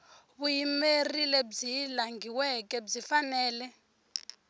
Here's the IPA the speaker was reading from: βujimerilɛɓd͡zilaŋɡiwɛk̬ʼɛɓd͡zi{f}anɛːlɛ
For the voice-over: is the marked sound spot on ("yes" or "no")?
yes